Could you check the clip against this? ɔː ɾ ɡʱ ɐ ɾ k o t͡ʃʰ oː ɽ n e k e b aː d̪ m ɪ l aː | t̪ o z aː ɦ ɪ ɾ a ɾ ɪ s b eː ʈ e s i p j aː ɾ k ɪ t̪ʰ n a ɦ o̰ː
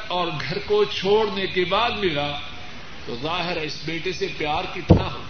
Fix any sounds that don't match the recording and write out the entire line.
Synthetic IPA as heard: ɔː ɾ ɡʱ ɐ ɾ k o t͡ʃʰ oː ɽ n e k e b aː d̪ m ɪ l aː | t̪ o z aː ɦ ɪ ɾ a ɪ s b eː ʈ e s e p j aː ɾ k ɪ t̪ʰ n a ɦ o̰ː